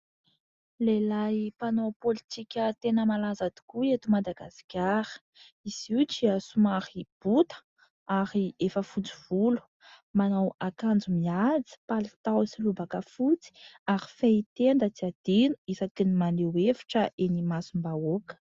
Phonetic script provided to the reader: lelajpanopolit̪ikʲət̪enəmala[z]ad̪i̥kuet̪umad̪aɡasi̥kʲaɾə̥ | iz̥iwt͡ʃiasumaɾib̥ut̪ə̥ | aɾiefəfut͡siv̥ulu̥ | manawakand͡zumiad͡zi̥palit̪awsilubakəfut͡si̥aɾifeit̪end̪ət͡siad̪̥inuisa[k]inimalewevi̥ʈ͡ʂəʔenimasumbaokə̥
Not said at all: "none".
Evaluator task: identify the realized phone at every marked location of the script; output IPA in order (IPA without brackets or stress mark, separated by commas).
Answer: z, k